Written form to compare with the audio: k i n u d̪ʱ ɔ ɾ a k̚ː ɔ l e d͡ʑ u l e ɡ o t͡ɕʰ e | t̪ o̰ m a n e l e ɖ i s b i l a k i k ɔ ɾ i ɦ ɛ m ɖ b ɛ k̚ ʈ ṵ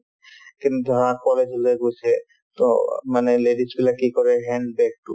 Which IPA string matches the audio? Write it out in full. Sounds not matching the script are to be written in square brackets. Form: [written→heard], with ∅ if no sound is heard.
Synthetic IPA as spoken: k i n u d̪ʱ ɔ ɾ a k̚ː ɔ l e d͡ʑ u l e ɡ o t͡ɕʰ e | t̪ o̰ m a n e l e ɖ i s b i l a k i k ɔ ɾ [i→e] ɦ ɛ [m→ɳ] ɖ b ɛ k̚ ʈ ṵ